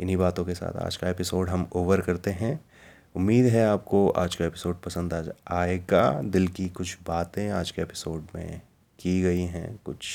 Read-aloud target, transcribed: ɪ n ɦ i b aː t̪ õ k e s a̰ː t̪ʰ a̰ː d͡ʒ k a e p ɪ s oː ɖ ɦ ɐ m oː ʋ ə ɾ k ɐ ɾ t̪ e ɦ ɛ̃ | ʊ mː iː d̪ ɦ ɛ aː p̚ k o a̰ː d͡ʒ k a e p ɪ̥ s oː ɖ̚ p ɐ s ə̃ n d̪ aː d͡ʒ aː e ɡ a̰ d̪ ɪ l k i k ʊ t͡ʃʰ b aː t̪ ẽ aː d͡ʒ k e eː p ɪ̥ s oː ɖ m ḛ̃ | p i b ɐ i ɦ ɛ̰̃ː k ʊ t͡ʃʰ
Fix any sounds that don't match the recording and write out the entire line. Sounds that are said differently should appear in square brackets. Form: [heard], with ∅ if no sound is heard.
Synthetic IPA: ɪ n ɦ i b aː t̪ õ k e s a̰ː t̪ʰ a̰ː d͡ʒ k a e p ɪ s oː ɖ ɦ ɐ m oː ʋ ə ɾ k ɐ ɾ t̪ e ɦ ɛ̃ | ʊ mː iː d̪ ɦ ɛ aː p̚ k o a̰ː d͡ʒ k a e p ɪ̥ s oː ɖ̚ p ɐ s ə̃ n d̪ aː d͡ʒ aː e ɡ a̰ d̪ ɪ l k i k ʊ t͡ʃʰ b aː t̪ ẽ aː d͡ʒ k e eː p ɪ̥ s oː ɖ m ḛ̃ | [k] i [ɡ] ɐ i ɦ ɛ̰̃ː k ʊ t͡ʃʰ